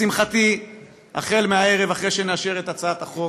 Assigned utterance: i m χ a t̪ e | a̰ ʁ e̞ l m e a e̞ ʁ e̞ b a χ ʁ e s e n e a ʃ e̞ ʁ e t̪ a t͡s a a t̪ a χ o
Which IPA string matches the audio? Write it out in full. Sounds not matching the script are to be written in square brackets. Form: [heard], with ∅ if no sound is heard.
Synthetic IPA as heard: i m χ a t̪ [i] | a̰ [χ] e̞ l m e a e̞ ʁ e̞ [v] a χ ʁ e [ʃ] e n e a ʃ e̞ ʁ e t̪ a t͡s a a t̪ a χ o